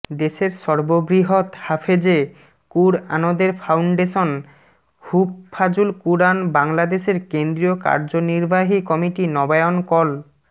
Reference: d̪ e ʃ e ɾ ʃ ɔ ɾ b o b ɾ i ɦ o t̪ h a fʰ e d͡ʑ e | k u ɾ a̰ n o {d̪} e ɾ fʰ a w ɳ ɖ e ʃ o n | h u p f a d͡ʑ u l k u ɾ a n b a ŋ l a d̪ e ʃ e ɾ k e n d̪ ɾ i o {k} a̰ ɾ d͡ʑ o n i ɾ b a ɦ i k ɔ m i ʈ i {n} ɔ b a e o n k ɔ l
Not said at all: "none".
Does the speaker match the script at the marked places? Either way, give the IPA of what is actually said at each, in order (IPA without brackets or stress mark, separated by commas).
d̪, k, n